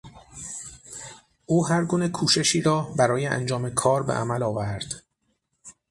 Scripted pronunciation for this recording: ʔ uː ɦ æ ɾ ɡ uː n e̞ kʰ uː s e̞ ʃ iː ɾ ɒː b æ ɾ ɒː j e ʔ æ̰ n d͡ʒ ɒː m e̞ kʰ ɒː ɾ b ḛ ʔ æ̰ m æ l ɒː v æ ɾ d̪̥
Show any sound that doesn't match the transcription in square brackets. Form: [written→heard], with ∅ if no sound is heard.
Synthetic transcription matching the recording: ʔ uː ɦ æ ɾ ɡ uː n e̞ kʰ uː [s→ʃ] e̞ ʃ iː ɾ ɒː b æ ɾ ɒː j e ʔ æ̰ n d͡ʒ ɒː m e̞ kʰ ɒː ɾ b ḛ ʔ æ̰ m æ l ɒː v æ ɾ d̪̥